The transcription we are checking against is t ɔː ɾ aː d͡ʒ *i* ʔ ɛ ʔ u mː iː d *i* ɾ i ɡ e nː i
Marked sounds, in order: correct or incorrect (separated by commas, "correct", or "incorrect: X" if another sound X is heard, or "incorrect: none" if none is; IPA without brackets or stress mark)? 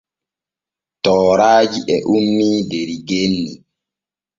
correct, incorrect: e